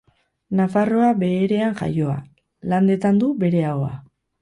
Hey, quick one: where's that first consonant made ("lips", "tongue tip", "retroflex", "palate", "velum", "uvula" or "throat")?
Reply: tongue tip